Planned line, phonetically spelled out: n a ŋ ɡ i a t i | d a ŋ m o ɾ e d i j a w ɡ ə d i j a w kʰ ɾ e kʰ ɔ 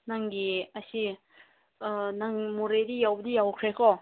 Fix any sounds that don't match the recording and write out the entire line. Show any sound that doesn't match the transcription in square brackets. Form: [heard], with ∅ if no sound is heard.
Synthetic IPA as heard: n a ŋ ɡ i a [s] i | [n] a ŋ m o ɾ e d i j a w [b] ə d i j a w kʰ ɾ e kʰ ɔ